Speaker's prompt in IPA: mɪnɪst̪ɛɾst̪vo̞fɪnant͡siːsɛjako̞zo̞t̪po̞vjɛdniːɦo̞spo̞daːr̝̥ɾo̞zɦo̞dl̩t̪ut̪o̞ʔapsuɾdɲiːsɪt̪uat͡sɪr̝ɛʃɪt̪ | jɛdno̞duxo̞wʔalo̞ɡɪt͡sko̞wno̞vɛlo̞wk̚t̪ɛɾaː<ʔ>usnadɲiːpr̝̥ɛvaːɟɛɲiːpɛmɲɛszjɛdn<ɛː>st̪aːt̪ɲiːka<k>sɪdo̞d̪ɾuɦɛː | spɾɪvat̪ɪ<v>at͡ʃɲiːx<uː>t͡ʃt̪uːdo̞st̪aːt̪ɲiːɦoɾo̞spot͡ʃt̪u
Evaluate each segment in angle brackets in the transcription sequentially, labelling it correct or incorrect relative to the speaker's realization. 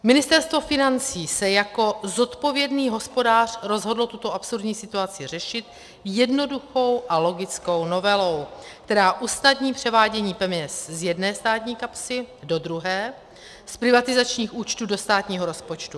correct, correct, incorrect: p, incorrect: z, correct

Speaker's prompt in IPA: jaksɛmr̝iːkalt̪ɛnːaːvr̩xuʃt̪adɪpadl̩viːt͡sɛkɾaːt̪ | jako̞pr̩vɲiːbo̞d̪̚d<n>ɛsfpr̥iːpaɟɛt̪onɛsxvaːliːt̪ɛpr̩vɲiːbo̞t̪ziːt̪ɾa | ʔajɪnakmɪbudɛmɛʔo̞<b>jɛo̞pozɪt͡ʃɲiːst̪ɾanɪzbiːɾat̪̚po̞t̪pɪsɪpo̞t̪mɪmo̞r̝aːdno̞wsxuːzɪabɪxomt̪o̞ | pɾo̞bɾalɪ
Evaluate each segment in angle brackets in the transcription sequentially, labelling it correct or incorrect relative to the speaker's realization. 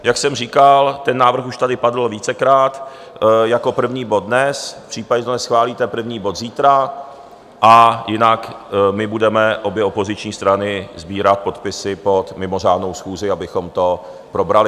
correct, correct

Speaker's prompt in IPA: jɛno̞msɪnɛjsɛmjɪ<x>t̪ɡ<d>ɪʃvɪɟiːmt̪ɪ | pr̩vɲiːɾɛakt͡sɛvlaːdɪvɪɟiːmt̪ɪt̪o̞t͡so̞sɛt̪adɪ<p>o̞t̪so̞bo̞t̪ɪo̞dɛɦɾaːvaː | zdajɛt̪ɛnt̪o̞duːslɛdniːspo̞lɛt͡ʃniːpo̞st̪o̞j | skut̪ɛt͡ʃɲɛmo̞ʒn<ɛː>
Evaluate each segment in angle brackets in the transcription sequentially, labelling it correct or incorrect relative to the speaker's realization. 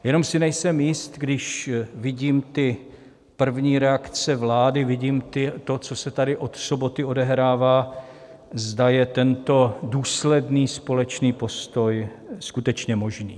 incorrect: s, correct, incorrect: ʔ, incorrect: iː

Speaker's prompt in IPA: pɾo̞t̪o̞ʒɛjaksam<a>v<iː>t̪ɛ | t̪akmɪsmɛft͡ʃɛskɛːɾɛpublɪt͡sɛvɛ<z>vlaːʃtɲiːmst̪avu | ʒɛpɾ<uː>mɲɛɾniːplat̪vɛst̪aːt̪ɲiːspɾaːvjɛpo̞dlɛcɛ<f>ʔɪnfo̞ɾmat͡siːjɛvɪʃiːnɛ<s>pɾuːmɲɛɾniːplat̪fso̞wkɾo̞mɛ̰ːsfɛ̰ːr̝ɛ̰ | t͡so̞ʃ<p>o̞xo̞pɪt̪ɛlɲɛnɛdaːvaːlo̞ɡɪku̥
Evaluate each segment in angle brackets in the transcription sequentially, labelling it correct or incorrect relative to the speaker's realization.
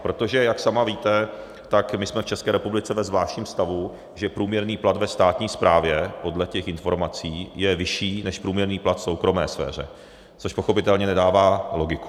correct, correct, correct, correct, incorrect: x, incorrect: ʃ, correct

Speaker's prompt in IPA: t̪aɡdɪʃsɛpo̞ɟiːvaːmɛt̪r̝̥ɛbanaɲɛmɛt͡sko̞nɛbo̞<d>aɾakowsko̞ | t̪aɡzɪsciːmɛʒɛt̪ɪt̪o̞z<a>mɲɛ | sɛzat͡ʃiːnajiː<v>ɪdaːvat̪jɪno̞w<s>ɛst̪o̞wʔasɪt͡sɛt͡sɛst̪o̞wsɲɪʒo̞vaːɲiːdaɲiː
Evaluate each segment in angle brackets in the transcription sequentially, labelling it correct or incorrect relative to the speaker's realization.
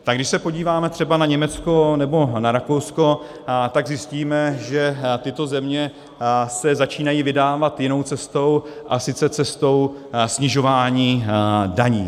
incorrect: n, incorrect: ɛ, correct, incorrect: t͡s

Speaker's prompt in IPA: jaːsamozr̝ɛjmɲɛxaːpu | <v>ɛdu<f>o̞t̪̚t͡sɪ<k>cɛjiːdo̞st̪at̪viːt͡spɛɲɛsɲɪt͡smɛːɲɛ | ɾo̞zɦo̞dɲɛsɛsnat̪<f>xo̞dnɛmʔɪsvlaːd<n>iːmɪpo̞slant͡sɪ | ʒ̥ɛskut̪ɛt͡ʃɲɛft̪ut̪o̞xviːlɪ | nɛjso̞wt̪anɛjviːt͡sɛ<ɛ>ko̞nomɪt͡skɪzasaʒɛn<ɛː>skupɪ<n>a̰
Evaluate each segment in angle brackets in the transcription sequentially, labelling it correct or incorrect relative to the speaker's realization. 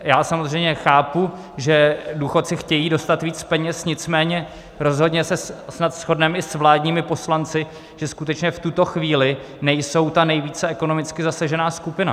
incorrect: ʒ, incorrect: x, incorrect: x, incorrect: s, incorrect: ɲ, correct, incorrect: aː, correct

